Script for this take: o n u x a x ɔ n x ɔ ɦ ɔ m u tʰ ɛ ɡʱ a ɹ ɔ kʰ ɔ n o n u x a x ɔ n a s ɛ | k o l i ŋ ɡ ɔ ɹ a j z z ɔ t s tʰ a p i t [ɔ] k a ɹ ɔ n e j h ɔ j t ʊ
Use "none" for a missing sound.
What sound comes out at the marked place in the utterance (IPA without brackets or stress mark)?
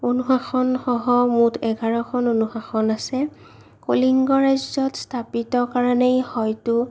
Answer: ɔ